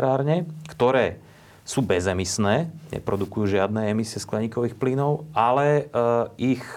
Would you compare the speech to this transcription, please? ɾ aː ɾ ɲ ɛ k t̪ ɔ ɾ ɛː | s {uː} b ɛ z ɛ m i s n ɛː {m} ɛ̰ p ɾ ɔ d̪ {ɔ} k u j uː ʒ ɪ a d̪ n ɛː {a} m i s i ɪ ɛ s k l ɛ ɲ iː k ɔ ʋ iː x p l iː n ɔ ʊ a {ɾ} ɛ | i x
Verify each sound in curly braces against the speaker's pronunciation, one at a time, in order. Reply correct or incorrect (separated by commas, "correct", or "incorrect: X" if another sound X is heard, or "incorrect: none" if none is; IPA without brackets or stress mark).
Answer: correct, incorrect: ɲ, incorrect: u, incorrect: ɛ, incorrect: l